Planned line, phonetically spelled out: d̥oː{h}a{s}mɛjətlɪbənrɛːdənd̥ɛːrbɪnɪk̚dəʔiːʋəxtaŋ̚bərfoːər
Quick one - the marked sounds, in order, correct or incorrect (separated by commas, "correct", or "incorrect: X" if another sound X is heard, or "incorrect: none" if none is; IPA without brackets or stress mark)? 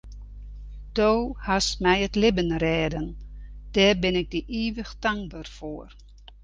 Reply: correct, correct